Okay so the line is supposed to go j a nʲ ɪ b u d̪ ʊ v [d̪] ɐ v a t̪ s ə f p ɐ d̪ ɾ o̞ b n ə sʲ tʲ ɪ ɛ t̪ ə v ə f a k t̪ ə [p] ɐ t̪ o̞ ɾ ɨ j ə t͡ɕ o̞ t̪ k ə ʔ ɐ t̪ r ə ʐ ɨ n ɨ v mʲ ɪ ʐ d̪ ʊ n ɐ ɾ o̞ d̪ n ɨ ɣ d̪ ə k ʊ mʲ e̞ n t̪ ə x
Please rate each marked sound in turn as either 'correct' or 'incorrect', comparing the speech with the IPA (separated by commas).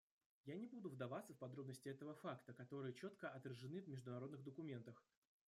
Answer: correct, incorrect